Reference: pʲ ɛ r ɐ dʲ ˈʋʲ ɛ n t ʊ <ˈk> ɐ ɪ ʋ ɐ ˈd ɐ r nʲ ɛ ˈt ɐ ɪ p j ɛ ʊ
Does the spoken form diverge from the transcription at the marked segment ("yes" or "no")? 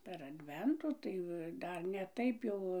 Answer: yes